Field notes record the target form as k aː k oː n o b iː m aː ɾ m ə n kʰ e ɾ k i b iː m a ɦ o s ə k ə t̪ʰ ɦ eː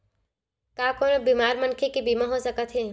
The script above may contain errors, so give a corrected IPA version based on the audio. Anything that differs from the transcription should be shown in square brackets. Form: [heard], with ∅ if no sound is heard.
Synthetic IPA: k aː k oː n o b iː m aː ɾ m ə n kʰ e [∅] k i b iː m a ɦ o s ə k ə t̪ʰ ɦ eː